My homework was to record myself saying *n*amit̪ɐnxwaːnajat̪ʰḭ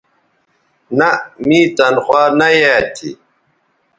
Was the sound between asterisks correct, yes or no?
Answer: yes